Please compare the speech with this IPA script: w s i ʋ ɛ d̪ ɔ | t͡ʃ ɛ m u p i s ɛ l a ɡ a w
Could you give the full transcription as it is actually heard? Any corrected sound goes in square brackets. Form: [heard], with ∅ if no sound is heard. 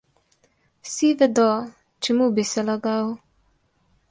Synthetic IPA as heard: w s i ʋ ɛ d̪ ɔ | t͡ʃ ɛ m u [b] i s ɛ l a ɡ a w